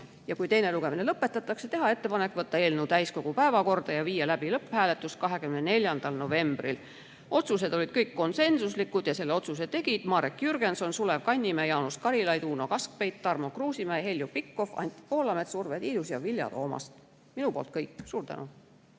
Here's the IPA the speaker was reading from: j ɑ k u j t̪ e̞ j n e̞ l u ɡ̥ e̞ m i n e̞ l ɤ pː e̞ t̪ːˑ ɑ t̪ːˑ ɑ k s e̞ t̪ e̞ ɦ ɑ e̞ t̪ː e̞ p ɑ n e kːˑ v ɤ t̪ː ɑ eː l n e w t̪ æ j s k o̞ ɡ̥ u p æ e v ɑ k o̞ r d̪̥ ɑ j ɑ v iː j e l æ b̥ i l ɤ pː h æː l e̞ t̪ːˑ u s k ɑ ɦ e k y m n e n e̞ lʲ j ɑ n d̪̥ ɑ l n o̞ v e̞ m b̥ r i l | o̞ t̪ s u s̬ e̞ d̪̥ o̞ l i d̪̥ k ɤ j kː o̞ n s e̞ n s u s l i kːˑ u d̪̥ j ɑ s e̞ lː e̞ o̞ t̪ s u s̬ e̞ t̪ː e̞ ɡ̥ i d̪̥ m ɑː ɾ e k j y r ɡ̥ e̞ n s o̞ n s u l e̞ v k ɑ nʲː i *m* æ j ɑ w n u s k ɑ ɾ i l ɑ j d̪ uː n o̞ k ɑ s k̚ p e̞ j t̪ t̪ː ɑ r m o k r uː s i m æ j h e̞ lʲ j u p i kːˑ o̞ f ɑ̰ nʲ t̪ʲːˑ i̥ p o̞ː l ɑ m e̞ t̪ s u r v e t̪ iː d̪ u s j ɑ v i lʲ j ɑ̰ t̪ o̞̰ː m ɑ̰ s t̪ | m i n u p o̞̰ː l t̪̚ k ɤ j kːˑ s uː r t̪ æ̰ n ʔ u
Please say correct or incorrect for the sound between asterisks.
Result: correct